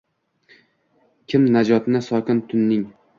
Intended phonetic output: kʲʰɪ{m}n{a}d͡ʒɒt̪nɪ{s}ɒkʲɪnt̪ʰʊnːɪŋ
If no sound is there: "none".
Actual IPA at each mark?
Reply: m, a, s

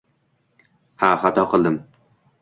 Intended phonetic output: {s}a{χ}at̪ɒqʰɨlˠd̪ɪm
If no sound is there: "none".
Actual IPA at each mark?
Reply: h, χ

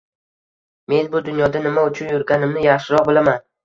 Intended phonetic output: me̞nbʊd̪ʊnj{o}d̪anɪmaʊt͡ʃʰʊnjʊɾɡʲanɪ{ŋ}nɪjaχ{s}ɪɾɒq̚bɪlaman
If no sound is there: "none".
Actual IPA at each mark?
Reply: ɒ, m, ʃ

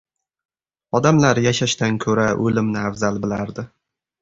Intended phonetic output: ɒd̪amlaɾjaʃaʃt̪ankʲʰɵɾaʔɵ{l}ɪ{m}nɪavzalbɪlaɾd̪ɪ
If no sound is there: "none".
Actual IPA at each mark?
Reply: l, m

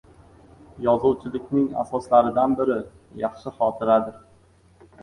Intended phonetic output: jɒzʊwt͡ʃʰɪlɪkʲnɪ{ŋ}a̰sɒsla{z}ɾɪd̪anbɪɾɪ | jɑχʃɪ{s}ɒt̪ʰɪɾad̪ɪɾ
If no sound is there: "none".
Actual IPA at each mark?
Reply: ŋ, none, χ

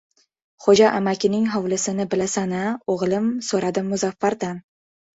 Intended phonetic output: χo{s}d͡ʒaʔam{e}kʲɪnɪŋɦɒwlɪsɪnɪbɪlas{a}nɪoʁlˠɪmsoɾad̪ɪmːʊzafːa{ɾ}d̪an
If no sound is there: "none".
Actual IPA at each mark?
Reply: none, a, a, ɾ

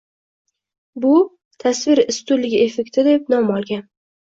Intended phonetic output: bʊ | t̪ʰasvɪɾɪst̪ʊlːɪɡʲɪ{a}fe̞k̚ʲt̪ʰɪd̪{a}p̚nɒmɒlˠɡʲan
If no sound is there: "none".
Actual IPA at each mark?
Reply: e, e

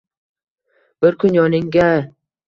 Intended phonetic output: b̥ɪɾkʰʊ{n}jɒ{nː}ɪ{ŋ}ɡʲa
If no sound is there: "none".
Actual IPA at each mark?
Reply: n, n, ŋ

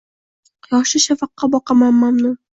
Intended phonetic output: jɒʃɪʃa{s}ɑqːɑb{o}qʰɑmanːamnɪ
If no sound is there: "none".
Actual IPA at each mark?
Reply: f, ɒ

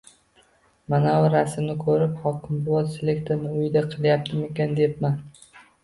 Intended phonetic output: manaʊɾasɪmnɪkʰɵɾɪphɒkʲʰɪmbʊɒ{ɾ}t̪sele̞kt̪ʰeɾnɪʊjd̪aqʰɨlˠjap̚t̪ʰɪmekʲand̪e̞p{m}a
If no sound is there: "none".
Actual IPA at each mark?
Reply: none, m

